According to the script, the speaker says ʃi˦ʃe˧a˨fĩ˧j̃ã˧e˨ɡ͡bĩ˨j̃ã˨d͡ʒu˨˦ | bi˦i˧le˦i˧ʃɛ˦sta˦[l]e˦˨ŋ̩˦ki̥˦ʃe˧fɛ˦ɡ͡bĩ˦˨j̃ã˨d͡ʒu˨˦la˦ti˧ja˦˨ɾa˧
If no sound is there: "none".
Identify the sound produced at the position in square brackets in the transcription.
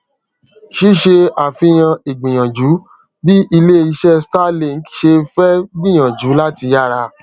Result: l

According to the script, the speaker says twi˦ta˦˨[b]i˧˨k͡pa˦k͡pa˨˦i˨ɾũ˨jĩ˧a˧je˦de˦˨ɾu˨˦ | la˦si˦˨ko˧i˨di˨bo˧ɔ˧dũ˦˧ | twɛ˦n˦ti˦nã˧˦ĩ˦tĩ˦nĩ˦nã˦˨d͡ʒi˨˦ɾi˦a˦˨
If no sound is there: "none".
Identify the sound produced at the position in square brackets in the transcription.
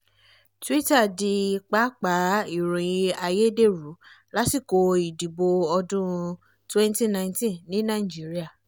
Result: d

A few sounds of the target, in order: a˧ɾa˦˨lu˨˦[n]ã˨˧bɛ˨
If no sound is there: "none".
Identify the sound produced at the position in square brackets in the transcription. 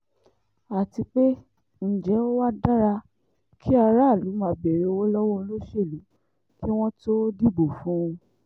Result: m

